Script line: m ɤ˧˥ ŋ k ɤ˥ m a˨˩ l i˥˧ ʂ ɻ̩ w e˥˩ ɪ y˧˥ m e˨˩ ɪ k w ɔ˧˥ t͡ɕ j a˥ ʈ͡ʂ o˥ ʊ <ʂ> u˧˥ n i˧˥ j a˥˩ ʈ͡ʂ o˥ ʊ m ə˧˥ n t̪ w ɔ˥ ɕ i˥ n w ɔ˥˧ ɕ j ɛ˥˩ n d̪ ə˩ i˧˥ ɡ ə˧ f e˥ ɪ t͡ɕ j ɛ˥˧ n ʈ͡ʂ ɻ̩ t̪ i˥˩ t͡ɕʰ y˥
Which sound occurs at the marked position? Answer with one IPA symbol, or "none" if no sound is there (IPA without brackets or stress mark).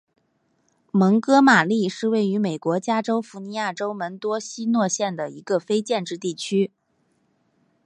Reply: f